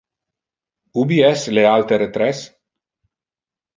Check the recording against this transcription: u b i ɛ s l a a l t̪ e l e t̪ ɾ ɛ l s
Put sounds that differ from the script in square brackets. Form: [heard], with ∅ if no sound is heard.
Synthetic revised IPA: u b i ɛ s l [e] a l t̪ e [ɾ] e t̪ ɾ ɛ [∅] s